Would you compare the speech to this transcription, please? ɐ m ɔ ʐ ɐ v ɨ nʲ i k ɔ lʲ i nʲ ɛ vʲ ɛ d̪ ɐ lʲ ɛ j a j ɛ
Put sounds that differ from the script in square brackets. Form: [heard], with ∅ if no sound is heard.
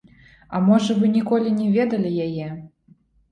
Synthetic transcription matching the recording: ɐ m ɔ ʐ ɐ v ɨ nʲ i k ɔ lʲ i nʲ ɛ vʲ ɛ d̪ ɐ lʲ [i] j a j ɛ